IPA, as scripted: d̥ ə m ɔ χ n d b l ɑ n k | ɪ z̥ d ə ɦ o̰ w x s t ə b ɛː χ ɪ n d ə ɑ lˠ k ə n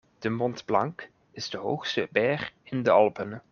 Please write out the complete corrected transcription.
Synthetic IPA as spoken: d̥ ə m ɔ n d b l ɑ ŋ k | ɪ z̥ d ə ɦ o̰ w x s t ə b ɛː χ ɪ n d ə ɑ lˠ p ə n